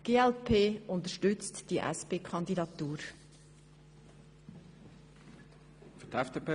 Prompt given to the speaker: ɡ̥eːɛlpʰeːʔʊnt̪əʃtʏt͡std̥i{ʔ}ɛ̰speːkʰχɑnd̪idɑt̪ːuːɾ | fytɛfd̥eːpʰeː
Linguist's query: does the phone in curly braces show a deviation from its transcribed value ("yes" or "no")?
no